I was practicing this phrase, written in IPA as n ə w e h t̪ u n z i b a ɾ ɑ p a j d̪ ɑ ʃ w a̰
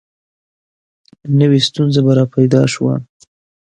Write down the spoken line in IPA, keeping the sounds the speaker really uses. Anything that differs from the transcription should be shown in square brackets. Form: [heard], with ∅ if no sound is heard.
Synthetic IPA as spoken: n ə w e [s] t̪ u n z [a] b a ɾ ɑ p a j d̪ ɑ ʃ w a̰

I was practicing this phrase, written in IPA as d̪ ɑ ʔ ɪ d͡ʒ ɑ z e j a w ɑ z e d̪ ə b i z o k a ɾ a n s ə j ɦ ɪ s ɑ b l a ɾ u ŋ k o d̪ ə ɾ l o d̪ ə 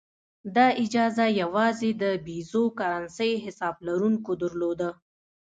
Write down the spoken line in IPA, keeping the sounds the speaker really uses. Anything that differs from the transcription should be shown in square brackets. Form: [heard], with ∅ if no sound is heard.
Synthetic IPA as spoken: d̪ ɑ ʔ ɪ d͡ʒ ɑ z [a] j a w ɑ z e d̪ ə b i z o k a ɾ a n s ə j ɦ ɪ s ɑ b l a ɾ u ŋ k o d̪ ə ɾ l o d̪ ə

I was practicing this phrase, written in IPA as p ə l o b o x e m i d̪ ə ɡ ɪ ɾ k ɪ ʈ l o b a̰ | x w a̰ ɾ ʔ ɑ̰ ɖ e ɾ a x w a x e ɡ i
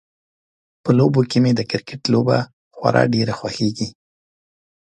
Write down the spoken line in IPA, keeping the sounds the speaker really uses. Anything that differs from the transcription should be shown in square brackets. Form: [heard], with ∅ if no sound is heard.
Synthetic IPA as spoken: p ə l o b o [k] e m [e] d̪ ə [k] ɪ ɾ k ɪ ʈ l o b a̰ | x w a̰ ɾ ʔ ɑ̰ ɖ e ɾ a x w a x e ɡ i

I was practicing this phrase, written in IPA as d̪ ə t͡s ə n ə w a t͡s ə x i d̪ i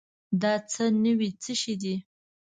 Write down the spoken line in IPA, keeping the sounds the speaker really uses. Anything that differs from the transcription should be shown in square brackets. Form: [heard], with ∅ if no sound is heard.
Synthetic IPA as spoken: d̪ [ɑ] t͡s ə n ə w [i] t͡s ə [ʃ] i d̪ i

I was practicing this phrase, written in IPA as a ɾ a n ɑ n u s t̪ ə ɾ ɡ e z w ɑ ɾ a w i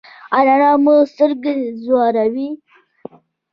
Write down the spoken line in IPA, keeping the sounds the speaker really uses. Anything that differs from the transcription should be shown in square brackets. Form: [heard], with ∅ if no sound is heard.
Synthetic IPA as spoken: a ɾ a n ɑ [m] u s t̪ ə ɾ ɡ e z w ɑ ɾ a w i

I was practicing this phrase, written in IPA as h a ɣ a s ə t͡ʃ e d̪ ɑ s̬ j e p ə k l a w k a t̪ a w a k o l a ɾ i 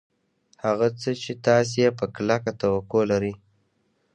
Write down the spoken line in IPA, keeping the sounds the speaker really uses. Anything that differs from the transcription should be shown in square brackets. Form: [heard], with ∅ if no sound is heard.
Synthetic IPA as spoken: h a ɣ a [t͡s] ə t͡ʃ e [t̪] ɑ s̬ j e p ə k l a [∅] k a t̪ a w a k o l a ɾ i

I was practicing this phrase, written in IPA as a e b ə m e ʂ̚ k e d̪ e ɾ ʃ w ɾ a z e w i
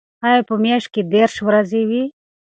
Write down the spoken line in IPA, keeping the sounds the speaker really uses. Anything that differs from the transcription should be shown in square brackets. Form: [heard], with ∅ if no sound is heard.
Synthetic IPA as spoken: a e [p] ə m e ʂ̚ k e d̪ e ɾ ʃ w ɾ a z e w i

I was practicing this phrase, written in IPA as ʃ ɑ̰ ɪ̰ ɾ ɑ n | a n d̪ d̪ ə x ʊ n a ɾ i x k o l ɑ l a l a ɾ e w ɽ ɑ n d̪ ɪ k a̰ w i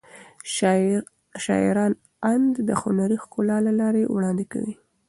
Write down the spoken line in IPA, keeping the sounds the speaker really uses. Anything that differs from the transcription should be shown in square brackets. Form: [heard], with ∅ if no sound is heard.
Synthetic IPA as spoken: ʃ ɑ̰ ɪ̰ ɾ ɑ n | a n d̪ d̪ ə x ʊ n a ɾ i x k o l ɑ l a l [ɑ] ɾ e w ɽ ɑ n d̪ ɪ k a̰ w i

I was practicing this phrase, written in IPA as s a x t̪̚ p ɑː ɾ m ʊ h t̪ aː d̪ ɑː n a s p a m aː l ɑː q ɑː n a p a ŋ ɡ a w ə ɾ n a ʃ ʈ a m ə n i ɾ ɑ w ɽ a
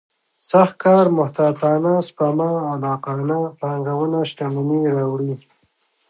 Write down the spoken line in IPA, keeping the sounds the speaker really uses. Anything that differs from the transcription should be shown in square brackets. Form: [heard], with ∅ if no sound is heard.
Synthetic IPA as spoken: s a x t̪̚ [k] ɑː ɾ m ʊ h t̪ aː [t̪] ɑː n a s p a m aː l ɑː q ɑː n a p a ŋ ɡ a w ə [∅] n a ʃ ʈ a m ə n i ɾ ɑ w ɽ [i]

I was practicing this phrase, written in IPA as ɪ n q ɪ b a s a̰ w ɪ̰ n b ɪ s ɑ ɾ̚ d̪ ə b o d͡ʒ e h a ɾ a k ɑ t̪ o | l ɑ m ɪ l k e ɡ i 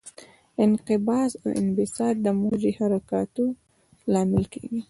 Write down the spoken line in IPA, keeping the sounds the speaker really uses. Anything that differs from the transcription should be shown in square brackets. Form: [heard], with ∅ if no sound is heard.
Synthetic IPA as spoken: ɪ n q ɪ b [ɑ] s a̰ w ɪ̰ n b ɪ s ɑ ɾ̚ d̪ ə [m] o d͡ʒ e h a ɾ a k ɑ t̪ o | l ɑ m ɪ l k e ɡ i

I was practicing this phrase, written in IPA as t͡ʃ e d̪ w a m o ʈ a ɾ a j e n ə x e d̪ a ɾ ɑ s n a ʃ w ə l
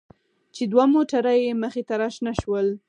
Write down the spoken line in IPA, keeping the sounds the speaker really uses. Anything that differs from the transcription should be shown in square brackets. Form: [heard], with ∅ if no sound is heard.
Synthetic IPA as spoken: t͡ʃ e d̪ w a m o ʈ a ɾ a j e [m] ə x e [t̪] a ɾ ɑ [ʃ] n a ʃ w ə l

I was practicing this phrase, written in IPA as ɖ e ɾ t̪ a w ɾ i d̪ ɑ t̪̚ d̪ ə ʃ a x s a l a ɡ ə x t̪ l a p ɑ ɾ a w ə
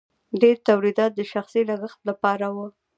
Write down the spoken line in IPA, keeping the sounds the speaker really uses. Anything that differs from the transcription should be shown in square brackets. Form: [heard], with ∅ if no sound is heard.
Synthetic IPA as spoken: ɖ e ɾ t̪ a w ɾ i d̪ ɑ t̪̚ d̪ ə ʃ a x s [i] l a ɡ ə x t̪ l a p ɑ ɾ a w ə

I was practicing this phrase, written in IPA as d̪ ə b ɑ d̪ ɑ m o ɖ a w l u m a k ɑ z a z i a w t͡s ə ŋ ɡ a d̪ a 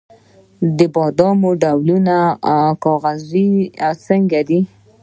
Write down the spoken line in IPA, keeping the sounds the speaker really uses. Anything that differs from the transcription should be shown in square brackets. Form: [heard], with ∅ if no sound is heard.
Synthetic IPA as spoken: d̪ ə b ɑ d̪ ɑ m o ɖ a w l u [n] a k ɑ [ɣ] a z i a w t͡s ə ŋ ɡ a d̪ [i]

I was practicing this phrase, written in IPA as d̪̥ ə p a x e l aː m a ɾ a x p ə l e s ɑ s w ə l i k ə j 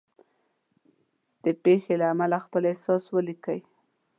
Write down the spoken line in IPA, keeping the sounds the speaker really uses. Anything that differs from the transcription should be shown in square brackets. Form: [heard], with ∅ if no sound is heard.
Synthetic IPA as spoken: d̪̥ ə p [e] x e l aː m a [l] a x p ə l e s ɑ s w ə l i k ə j

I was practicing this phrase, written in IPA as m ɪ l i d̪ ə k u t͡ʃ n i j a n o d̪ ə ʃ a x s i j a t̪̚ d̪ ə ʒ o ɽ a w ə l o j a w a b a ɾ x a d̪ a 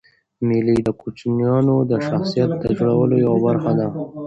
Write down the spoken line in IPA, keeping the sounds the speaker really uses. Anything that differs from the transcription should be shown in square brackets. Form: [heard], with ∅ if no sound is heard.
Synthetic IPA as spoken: m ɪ l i d̪ ə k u t͡ʃ n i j [ɑ] n o d̪ ə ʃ a x s i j a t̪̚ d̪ ə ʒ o ɽ a w ə l o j a w a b a ɾ x a d̪ a

